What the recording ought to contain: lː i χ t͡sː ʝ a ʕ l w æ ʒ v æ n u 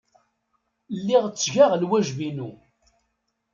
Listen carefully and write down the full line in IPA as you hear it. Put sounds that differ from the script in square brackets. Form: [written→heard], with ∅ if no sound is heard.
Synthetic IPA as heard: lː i [χ→ʁ] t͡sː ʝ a [ʕ→ʁ] l w æ ʒ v [æ→i] n u